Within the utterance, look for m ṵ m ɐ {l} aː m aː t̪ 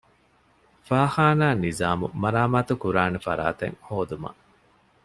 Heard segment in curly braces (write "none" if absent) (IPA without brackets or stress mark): ɾ